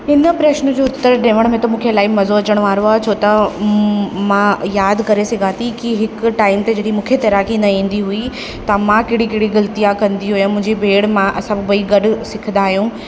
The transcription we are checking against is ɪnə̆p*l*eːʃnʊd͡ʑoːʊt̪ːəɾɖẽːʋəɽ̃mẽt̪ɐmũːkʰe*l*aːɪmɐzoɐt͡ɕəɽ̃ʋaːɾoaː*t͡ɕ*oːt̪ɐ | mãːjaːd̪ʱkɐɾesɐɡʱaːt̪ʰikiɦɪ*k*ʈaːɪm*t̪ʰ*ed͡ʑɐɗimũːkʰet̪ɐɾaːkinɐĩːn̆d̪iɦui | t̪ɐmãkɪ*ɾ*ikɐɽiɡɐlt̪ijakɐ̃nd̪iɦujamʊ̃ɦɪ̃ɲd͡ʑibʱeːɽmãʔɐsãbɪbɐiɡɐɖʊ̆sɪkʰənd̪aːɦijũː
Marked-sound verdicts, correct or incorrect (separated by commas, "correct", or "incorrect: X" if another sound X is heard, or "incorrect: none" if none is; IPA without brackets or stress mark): incorrect: ɾ, correct, incorrect: t͡ɕʰ, correct, incorrect: t̪, incorrect: ɽ